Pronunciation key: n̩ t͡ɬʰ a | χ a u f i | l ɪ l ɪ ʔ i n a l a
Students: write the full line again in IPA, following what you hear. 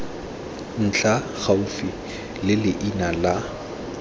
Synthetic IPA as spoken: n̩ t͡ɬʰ a | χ a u f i | l ɪ l ɪ ʔ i n a l a